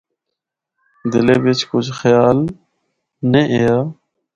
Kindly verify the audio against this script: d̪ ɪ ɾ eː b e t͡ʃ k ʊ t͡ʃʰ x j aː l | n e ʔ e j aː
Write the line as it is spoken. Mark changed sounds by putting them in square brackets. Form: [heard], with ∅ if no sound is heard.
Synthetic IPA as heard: d̪ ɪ [l] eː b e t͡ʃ k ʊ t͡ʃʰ x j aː l | n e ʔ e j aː